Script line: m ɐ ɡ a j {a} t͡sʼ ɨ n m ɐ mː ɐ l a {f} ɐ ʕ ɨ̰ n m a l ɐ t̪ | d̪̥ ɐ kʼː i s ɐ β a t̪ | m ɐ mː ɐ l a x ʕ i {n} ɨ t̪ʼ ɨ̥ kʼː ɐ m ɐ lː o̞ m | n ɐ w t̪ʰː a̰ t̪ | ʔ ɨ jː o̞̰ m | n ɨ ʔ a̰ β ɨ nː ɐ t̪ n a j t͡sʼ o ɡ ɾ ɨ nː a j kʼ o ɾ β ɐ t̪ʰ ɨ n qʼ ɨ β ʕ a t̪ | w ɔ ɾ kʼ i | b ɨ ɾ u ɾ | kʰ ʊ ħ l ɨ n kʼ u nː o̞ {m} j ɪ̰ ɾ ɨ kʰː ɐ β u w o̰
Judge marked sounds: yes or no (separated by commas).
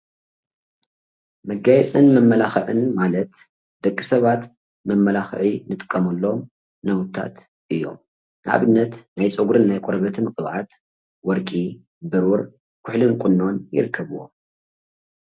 no, no, yes, no